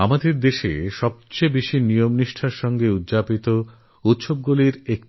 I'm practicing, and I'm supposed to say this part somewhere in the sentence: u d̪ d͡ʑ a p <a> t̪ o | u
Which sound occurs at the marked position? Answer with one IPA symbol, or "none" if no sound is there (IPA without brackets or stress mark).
i